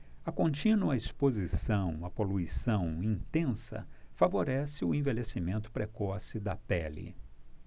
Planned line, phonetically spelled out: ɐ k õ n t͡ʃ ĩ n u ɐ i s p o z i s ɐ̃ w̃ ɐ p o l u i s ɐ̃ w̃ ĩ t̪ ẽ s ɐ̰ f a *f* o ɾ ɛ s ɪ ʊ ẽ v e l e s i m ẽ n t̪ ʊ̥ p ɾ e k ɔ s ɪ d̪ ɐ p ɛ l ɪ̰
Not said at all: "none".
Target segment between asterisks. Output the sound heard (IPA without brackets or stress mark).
v